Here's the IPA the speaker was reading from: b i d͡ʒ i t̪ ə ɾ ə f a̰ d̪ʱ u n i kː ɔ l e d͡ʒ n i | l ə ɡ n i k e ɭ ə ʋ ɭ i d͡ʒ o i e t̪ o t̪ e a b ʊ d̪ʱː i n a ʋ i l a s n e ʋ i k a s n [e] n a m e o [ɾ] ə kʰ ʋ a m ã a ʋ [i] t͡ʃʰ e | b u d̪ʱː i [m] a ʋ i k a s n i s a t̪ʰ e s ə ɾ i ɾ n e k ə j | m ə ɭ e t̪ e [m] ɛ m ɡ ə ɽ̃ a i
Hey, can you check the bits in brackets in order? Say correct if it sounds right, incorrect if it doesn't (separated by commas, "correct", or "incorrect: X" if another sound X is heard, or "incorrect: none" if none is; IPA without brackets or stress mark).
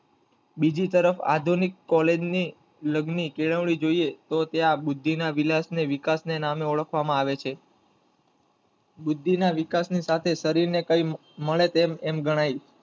correct, incorrect: ɭ, incorrect: e, incorrect: n, correct